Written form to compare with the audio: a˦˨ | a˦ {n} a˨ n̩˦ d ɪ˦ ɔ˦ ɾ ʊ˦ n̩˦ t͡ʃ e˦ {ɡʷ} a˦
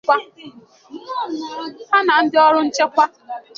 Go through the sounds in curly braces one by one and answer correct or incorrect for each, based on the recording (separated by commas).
correct, incorrect